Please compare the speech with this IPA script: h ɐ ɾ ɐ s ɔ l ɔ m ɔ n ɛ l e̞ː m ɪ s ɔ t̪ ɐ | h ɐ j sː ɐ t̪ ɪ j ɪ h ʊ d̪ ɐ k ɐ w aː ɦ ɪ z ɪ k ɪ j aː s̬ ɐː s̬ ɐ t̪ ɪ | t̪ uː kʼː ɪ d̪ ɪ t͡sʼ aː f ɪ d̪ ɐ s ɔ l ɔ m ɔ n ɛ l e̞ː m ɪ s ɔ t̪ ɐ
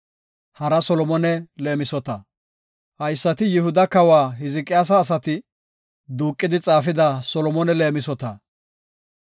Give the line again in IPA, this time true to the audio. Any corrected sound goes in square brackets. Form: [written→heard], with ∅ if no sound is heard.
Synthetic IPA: h ɐ ɾ ɐ s ɔ l ɔ m ɔ n ɛ l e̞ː m ɪ s ɔ t̪ ɐ | h ɐ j sː ɐ t̪ ɪ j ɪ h ʊ d̪ ɐ k ɐ w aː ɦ ɪ z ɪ [k→kʼ] ɪ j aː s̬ ɐː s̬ ɐ t̪ ɪ | [t̪→d̪] uː kʼː ɪ d̪ ɪ t͡sʼ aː f ɪ d̪ ɐ s ɔ l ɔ m ɔ n ɛ l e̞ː m ɪ s ɔ t̪ ɐ

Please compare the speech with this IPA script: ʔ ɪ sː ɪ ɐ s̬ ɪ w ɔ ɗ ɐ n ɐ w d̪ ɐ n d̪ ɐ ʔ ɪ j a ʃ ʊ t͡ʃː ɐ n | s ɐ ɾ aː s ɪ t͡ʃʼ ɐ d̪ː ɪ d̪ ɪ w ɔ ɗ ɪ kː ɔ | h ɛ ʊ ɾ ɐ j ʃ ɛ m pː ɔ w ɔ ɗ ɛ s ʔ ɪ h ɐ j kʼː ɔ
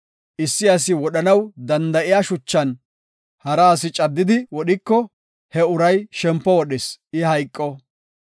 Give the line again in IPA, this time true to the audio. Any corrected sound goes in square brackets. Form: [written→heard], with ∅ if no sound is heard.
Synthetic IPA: ʔ ɪ sː ɪ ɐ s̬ ɪ w ɔ ɗ ɐ n ɐ w d̪ ɐ n d̪ ɐ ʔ ɪ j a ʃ ʊ t͡ʃː ɐ n | [s→h] ɐ ɾ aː s ɪ t͡ʃʼ ɐ d̪ː ɪ d̪ ɪ w ɔ ɗ ɪ kː ɔ | h ɛ ʊ ɾ ɐ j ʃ ɛ m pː ɔ w ɔ ɗ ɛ s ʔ ɪ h ɐ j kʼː ɔ

